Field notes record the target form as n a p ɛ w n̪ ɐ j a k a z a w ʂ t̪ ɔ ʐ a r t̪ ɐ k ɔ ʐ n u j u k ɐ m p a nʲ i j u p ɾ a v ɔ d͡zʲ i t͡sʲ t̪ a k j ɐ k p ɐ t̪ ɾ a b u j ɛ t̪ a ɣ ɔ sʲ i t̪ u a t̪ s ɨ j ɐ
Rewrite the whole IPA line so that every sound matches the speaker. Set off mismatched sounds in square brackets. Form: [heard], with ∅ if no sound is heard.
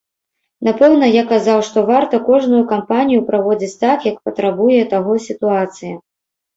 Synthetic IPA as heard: n a p ɛ w n̪ ɐ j a k a z a w ʂ t̪ ɔ [v] a r t̪ ɐ k ɔ ʐ n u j u k [a] m p a nʲ i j u p ɾ a v ɔ d͡zʲ i t͡sʲ t̪ a k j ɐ k p ɐ t̪ ɾ a b u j ɛ t̪ a ɣ ɔ sʲ i t̪ u a t̪ s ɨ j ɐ